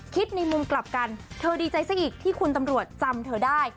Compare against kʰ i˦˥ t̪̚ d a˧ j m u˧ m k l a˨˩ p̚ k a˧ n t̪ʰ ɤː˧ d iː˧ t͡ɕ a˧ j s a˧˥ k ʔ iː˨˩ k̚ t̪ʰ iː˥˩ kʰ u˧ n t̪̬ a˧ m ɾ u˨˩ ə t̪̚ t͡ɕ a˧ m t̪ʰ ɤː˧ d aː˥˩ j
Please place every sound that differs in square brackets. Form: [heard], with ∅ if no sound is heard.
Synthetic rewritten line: kʰ i˦˥ t̪̚ [n] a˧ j m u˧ m k l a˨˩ p̚ k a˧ n t̪ʰ ɤː˧ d iː˧ t͡ɕ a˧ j s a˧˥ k ʔ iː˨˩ k̚ t̪ʰ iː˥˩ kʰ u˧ n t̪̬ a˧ m ɾ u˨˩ ə t̪̚ t͡ɕ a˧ m t̪ʰ ɤː˧ d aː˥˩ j